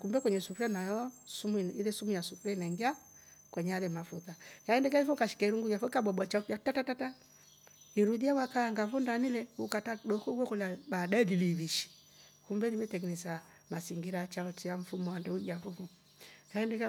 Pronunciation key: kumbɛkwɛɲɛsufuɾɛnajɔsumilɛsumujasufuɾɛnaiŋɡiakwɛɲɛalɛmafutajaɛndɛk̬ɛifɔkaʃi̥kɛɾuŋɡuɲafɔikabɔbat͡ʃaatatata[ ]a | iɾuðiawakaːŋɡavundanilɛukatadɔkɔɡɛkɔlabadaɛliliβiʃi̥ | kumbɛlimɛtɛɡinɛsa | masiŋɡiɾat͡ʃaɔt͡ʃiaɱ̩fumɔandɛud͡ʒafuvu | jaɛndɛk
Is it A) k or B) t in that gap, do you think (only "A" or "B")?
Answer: B